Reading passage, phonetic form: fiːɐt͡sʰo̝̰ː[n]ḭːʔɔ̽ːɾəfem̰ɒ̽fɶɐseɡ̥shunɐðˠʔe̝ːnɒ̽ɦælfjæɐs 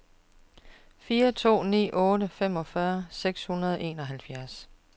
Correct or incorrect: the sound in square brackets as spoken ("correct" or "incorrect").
correct